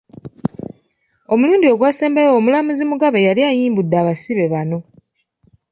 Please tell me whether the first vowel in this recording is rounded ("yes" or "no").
yes